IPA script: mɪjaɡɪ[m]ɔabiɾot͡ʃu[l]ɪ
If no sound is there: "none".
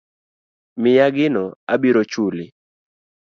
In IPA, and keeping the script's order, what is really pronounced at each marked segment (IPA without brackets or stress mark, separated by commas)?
n, l